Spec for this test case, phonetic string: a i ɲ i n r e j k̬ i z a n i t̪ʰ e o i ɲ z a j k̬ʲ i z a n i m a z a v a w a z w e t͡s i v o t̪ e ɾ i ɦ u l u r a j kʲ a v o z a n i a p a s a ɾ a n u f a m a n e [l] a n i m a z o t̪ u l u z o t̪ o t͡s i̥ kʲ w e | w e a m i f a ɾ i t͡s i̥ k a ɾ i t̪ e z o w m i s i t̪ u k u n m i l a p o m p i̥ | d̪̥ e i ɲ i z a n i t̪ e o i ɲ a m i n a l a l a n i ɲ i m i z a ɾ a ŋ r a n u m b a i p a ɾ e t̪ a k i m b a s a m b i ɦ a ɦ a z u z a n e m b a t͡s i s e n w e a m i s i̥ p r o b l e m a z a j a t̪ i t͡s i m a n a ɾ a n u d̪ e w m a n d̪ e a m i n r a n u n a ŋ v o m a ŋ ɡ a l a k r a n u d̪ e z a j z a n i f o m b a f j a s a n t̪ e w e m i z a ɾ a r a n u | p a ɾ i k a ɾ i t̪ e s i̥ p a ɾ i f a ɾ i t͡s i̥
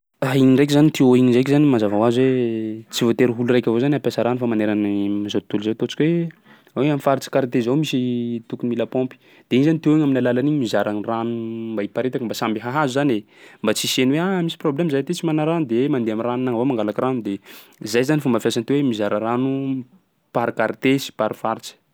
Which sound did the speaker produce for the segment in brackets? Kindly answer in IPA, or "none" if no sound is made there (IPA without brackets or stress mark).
ɾ